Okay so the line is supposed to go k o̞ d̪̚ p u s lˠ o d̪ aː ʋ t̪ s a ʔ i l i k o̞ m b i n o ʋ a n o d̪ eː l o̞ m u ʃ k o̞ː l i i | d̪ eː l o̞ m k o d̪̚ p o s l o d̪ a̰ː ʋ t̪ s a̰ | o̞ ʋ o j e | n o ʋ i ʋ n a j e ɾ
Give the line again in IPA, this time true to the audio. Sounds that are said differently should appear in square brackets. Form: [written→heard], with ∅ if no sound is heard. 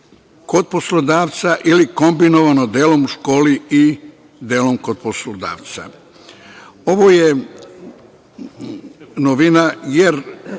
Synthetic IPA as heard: k o̞ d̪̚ p [u→o] s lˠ o d̪ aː ʋ t̪ s a ʔ i l i k o̞ m b i n o ʋ a n o d̪ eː l o̞ m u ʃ k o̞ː l i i | d̪ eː l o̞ m k o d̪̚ p o s l o d̪ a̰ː ʋ t̪ s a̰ | o̞ ʋ o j e | n o ʋ i [ʋ→∅] n a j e ɾ